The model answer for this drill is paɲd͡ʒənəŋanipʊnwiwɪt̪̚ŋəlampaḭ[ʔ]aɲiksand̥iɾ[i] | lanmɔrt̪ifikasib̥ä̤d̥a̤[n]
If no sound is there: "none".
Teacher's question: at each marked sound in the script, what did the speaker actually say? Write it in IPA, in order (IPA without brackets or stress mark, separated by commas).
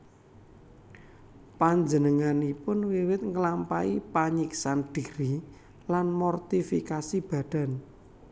p, i, n